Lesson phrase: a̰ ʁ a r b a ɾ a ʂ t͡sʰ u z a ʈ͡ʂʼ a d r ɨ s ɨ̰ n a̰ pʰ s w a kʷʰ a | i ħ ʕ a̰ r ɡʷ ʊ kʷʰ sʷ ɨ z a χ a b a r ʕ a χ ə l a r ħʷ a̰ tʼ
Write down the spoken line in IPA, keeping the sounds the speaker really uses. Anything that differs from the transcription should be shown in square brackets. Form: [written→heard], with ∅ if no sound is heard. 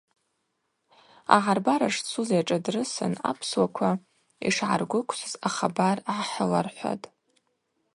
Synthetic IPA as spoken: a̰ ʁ a r b a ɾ a ʂ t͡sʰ u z a ʈ͡ʂʼ a d r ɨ s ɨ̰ n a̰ pʰ s w a kʷʰ a | i [ħ→ʂ] ʕ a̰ r ɡʷ ʊ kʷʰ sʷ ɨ z a χ a b a r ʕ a [χ→ħ] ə l a r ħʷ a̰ tʼ